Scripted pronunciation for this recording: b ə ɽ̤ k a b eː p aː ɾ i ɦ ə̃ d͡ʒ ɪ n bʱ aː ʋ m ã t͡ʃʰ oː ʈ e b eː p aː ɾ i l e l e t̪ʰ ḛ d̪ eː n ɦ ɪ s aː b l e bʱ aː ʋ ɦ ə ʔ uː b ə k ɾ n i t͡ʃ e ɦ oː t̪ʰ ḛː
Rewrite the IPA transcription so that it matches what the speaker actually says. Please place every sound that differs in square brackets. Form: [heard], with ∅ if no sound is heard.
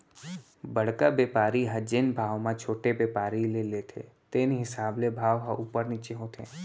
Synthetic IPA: b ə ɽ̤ k a b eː p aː ɾ i ɦ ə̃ d͡ʒ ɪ n bʱ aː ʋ m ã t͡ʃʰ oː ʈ e b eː p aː ɾ i l e l e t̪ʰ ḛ [t̪] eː n ɦ ɪ s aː b l e bʱ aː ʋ ɦ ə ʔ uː [p] ə [∅] ɾ n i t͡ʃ e ɦ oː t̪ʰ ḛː